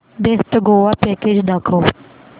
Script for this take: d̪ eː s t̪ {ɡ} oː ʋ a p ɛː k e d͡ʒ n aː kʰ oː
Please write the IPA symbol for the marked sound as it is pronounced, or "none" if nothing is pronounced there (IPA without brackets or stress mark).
ɡ